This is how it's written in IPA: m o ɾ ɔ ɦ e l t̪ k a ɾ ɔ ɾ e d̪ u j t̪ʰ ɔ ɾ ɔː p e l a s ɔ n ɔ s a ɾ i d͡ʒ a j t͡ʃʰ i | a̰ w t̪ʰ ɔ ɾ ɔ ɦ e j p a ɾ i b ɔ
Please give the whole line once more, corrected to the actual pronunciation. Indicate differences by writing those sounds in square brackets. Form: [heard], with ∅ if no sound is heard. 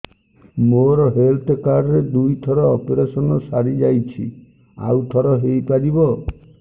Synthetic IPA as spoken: m o ɾ ɔ ɦ e l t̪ k a ɾ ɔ ɾ e d̪ u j t̪ʰ ɔ ɾ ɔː p e [ɾ] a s ɔ n ɔ s a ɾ i d͡ʒ a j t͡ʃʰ i | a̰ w t̪ʰ ɔ ɾ ɔ ɦ e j p a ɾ i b ɔ